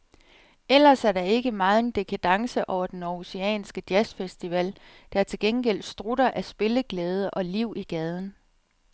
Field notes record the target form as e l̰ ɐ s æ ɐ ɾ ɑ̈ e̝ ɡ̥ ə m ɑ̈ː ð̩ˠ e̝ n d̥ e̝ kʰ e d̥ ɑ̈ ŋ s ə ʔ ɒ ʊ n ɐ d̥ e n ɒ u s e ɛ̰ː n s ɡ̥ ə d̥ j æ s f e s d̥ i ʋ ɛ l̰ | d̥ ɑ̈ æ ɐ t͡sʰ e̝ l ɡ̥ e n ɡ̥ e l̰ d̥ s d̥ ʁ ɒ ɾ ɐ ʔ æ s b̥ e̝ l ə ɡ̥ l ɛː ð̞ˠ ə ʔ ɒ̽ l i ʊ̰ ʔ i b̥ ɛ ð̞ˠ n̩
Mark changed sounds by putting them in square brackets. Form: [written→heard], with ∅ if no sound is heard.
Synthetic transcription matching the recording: e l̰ ɐ s æ ɐ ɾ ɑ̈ e̝ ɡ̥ ə m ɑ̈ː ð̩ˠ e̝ n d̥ e̝ kʰ [e→æ] d̥ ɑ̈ ŋ s ə ʔ ɒ ʊ [n→∅] ɐ d̥ e n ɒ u s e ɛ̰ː n s ɡ̥ ə d̥ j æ s f e s d̥ i ʋ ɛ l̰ | d̥ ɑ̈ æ ɐ t͡sʰ e̝ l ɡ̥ e n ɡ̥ e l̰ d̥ s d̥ ʁ [ɒ→u] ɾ ɐ ʔ æ s b̥ e̝ l ə ɡ̥ l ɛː ð̞ˠ ə ʔ ɒ̽ l i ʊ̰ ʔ i [b̥→ɡ̥] ɛ ð̞ˠ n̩